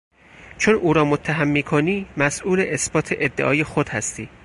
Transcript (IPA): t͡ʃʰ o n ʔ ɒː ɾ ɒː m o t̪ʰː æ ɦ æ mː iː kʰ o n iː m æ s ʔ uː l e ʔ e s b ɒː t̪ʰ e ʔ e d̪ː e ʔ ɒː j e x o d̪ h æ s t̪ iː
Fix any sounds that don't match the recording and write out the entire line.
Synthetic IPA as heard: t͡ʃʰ o n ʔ uː ɾ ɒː m o t̪ʰː æ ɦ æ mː iː kʰ o n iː m æ s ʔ uː l e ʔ e s b ɒː t̪ʰ e ʔ e d̪ː e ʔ ɒː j e x o d̪ h æ s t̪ iː